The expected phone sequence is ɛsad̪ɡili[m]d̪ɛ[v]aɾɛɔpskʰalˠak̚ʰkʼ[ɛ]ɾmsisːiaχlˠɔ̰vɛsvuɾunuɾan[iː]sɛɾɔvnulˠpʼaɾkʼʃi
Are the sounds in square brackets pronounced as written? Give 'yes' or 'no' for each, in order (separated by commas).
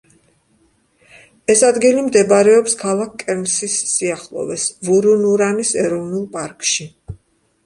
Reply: yes, no, yes, no